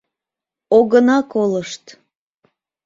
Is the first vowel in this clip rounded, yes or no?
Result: yes